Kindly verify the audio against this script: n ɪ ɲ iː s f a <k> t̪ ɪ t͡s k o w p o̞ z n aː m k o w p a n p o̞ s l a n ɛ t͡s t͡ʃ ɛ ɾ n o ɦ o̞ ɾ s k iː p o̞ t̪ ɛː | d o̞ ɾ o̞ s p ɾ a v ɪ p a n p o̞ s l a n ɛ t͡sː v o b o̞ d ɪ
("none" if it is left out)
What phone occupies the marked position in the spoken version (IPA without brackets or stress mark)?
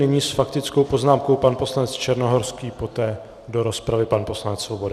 k